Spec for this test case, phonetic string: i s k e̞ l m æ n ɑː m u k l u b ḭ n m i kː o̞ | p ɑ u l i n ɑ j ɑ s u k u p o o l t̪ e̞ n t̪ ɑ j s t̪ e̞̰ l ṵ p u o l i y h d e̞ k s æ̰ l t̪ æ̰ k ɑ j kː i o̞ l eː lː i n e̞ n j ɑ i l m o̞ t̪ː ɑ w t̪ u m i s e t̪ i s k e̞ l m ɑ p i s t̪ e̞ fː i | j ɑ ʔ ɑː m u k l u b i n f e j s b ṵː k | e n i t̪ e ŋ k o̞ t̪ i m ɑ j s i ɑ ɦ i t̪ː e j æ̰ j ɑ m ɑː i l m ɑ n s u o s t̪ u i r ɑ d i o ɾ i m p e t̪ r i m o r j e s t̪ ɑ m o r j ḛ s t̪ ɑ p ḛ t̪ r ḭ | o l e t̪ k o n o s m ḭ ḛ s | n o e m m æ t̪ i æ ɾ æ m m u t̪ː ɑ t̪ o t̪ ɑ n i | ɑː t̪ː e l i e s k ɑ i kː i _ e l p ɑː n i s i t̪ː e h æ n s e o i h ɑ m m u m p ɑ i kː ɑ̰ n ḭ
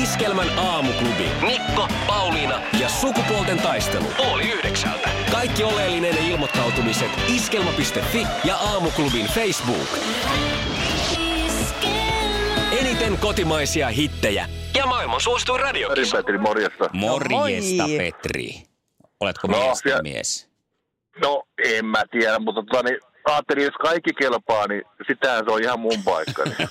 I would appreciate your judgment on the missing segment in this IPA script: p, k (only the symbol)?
k